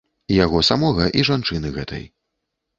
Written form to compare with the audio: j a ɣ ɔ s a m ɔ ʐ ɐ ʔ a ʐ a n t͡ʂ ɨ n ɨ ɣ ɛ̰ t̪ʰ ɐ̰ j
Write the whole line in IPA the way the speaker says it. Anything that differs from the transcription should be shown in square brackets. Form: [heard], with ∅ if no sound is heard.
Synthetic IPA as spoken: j a ɣ ɔ s a m ɔ [ɣ] ɐ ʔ [i] ʐ a n t͡ʂ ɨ n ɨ ɣ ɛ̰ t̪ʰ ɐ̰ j